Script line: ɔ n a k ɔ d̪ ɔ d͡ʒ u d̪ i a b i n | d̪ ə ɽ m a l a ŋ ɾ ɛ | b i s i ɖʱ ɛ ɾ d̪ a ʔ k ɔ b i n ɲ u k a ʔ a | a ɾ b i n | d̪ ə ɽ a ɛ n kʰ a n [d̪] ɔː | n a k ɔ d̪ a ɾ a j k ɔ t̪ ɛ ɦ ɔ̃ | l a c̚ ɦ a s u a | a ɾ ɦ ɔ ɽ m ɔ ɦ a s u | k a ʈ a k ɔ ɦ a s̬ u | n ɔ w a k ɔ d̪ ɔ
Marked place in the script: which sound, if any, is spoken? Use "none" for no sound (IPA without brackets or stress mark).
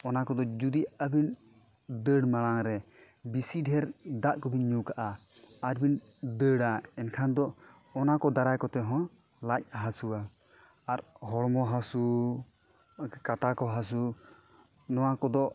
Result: d̪